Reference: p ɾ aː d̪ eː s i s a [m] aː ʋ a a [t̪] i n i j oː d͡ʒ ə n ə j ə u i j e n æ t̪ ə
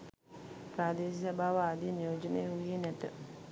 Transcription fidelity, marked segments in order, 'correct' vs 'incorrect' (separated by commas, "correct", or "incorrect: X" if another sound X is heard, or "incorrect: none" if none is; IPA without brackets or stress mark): incorrect: b, incorrect: d̪